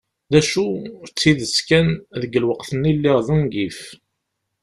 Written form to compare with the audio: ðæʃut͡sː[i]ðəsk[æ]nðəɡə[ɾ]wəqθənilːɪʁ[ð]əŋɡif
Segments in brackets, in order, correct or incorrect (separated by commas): correct, correct, incorrect, correct